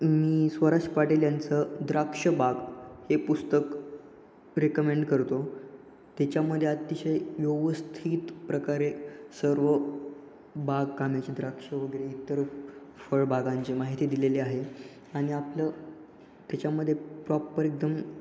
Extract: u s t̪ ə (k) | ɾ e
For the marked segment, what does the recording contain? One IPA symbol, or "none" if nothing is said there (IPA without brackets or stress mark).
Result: k